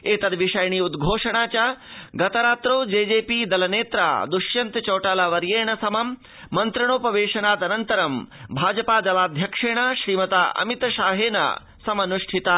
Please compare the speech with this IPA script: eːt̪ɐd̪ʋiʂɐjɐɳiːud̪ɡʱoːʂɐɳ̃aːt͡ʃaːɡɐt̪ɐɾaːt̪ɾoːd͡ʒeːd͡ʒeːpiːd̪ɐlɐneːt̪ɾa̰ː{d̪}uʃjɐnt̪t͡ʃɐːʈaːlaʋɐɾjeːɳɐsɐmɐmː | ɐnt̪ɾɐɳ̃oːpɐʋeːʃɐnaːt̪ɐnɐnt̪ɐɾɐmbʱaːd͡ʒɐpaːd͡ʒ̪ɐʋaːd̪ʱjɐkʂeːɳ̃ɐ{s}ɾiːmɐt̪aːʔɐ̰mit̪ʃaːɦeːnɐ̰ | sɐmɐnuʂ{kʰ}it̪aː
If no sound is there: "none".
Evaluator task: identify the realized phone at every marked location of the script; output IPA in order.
d̪, ʃ, ʈʰ

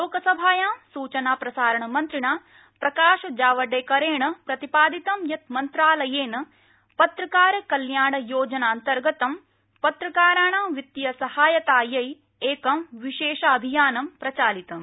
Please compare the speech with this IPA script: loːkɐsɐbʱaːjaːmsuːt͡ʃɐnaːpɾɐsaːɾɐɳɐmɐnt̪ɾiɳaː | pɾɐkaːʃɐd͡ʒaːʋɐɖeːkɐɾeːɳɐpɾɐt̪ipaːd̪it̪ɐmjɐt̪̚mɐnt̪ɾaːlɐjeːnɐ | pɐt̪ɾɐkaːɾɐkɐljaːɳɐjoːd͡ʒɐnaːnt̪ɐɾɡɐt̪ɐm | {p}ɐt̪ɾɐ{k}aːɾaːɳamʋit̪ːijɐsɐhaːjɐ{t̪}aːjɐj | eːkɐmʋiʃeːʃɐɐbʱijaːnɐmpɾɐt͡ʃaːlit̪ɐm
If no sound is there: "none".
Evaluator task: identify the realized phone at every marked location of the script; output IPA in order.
p, k, t̪

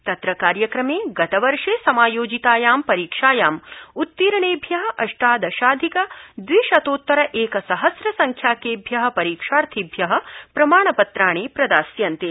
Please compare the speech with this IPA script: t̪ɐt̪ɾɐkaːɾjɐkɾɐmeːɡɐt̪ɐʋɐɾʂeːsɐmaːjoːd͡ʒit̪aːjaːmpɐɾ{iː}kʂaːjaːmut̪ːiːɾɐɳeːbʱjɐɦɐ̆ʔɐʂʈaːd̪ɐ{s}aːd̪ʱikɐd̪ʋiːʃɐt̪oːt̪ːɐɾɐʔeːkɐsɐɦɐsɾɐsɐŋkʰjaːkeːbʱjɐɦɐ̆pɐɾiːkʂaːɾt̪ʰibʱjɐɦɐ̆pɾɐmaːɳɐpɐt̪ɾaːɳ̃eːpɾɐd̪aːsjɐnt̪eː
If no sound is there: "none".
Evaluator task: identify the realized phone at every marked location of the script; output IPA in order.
iː, ʃ

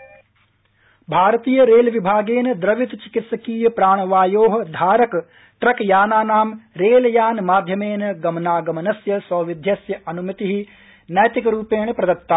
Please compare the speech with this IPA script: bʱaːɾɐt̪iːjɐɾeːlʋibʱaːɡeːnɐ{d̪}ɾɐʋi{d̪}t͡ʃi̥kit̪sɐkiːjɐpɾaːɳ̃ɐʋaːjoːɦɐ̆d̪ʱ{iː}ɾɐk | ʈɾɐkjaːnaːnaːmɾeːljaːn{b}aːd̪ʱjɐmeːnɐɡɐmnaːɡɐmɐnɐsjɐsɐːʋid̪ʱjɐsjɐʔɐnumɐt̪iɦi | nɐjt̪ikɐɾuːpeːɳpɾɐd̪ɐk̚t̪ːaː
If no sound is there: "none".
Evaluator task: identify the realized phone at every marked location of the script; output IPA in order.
d̪, t̪, aː, m

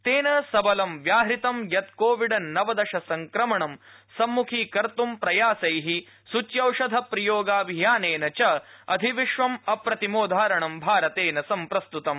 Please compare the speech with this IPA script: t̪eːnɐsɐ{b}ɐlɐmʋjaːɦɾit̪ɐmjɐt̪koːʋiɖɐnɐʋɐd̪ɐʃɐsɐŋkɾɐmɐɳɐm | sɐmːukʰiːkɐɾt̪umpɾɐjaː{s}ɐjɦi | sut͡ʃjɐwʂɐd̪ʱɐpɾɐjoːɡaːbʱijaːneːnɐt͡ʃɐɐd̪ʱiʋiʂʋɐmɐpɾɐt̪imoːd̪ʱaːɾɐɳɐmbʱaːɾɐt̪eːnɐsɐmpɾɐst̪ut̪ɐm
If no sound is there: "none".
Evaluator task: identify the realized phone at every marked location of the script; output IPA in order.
b, s

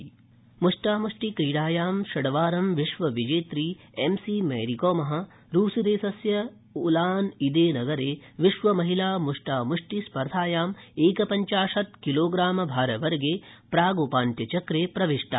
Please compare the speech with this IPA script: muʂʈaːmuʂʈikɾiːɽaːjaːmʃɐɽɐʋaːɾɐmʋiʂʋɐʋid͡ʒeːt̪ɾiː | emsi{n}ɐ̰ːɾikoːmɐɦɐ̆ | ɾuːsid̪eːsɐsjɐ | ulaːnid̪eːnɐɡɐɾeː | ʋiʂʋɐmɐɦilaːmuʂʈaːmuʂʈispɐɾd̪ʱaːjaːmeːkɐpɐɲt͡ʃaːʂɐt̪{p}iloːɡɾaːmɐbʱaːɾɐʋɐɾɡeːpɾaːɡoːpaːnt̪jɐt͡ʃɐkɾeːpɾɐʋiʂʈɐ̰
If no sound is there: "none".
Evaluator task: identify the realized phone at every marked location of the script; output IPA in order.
m, k

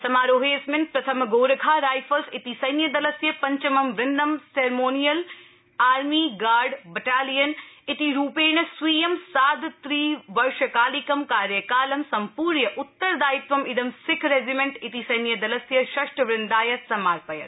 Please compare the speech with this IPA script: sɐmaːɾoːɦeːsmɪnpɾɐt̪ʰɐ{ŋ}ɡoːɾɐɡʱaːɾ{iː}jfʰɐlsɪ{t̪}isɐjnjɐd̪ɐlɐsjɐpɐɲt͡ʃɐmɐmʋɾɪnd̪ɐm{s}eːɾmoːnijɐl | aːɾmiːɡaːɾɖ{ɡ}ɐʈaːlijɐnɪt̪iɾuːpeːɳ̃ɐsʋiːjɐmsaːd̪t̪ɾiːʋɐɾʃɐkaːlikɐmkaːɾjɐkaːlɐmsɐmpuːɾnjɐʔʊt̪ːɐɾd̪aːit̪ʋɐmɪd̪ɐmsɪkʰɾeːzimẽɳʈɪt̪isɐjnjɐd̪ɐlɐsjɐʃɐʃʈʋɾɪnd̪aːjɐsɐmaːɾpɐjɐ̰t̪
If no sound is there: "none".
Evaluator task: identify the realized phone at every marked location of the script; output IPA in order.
m, aː, t̪, s, b

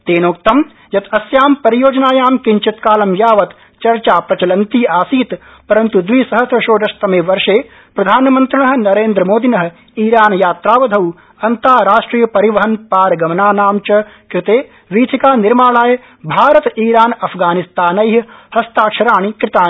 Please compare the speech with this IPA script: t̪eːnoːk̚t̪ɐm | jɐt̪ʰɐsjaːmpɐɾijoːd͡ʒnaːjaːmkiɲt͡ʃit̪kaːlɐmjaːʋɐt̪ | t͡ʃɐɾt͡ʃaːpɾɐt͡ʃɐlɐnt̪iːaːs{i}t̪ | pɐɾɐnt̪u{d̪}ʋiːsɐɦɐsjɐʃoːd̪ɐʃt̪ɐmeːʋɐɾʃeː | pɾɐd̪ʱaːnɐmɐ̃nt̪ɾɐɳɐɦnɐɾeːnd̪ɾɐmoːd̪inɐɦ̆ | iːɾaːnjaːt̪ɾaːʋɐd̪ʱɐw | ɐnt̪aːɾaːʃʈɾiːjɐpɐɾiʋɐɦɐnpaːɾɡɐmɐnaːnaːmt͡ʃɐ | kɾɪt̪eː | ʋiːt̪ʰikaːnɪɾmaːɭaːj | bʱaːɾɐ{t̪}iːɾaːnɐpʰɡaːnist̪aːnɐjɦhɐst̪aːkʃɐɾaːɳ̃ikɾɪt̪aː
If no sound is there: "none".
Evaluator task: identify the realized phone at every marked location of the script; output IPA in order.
iː, d̪, t̪

